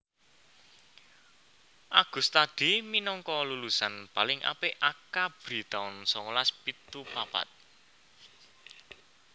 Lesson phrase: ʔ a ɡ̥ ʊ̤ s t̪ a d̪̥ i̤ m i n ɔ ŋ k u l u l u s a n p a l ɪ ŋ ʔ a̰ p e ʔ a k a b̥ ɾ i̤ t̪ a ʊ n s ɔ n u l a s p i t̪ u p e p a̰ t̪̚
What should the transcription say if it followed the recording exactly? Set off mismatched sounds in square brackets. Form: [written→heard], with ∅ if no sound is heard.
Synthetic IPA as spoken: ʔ a ɡ̥ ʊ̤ s t̪ a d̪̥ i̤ m i n ɔ ŋ k [u→ɔ] l u l u s a n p a l ɪ ŋ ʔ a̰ p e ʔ a k a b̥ ɾ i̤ t̪ a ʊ n s ɔ [n→ŋ] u l a s p i t̪ u p [e→a] p a̰ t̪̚